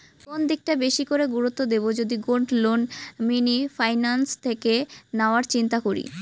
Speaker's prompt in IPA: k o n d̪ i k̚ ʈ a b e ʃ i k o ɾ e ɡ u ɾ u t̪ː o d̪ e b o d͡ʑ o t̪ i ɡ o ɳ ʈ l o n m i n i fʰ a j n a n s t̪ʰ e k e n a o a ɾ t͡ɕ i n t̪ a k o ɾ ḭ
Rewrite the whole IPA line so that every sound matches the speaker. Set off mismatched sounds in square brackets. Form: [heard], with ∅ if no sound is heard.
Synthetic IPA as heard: k o n d̪ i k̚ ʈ a b e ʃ i k o ɾ e ɡ u ɾ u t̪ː o d̪ e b o d͡ʑ o [d̪] i ɡ o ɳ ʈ l o n m i n i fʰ a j n a n s t̪ʰ e k e n a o a ɾ t͡ɕ i n t̪ a k o ɾ ḭ